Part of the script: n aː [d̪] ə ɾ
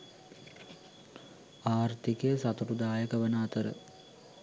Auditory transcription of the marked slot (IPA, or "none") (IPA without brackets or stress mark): t̪